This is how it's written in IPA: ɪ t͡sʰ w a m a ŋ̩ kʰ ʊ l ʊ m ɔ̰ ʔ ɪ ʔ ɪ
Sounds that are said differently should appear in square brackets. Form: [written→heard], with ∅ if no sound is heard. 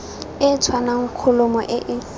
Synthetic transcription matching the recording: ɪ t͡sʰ w a [m→n] a ŋ̩ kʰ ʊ l ʊ m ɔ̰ ʔ ɪ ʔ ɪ